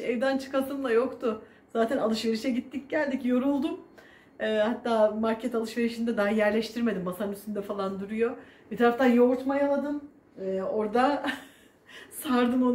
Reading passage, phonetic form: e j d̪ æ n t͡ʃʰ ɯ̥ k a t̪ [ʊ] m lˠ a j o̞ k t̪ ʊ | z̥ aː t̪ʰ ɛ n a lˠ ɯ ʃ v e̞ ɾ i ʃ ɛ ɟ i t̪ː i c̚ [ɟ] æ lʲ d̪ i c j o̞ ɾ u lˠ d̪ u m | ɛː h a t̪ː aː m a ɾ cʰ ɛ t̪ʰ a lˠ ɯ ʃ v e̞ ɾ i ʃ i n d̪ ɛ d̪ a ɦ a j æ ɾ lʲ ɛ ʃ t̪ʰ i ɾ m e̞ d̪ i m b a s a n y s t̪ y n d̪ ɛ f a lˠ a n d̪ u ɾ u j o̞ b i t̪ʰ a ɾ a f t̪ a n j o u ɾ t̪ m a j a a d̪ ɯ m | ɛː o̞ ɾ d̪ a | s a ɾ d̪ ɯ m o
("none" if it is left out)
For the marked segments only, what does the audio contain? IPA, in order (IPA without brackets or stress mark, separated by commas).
ɯ, ɟ